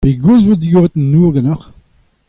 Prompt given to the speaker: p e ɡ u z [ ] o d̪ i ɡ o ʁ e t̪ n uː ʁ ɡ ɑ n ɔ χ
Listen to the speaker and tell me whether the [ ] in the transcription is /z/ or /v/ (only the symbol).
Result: v